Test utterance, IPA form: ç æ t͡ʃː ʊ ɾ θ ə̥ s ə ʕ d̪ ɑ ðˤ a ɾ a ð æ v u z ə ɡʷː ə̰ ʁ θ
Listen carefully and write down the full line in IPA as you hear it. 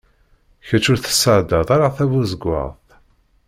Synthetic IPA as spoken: ç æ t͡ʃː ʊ ɾ θ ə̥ s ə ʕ d̪ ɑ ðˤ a ɾ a θ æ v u z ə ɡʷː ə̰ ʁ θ